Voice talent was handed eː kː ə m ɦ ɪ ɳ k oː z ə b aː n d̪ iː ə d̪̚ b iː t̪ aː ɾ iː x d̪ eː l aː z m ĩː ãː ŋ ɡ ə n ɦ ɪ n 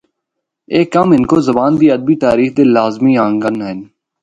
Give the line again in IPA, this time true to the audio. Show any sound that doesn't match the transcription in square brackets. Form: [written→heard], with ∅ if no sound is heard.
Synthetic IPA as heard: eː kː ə m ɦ ɪ [ɳ→n] k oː z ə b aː n d̪ iː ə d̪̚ b iː t̪ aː ɾ iː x d̪ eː l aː z m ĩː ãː ŋ ɡ ə n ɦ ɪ n